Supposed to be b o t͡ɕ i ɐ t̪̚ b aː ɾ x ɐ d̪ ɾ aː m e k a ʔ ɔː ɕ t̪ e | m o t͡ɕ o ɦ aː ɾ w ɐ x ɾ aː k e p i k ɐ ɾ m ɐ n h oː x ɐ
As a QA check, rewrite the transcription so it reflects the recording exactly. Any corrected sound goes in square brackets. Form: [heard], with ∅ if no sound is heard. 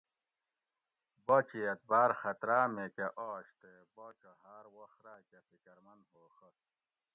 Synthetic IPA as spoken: b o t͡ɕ i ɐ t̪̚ b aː ɾ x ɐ [t̪] ɾ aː m e k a ʔ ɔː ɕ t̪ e | [b] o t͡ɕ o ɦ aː ɾ w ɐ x ɾ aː k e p i k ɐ ɾ m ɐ n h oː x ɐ